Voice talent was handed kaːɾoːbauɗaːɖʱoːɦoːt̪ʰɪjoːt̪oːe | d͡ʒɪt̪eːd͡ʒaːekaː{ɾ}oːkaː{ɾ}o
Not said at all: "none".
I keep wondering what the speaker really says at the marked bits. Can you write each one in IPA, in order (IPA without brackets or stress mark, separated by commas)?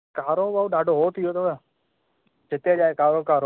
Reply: ɾ, ɾ